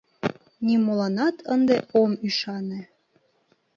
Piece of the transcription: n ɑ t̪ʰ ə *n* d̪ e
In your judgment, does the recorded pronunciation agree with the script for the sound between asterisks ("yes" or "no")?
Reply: yes